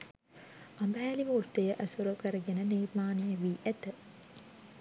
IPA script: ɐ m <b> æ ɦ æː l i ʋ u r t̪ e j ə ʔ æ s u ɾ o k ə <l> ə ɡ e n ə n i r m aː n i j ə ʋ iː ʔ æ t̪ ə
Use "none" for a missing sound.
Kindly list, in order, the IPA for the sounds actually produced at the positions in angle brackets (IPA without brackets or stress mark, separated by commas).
b, ɾ